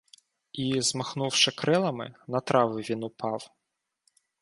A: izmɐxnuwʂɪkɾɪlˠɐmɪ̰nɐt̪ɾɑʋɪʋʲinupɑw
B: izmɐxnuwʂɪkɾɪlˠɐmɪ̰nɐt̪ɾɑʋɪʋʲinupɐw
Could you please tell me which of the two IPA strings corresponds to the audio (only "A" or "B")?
A